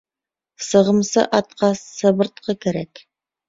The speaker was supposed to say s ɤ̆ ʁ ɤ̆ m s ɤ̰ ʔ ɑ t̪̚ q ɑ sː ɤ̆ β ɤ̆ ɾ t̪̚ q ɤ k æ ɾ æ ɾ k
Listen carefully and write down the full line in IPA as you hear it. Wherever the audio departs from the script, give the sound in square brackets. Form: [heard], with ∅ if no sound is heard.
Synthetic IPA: s ɤ̆ ʁ ɤ̆ m s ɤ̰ ʔ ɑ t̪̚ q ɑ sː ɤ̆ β ɤ̆ ɾ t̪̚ q ɤ k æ ɾ æ [∅] k